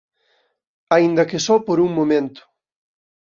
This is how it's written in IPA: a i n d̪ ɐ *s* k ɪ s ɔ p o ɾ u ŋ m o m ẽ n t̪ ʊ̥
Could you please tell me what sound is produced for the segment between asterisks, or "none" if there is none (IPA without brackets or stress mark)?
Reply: none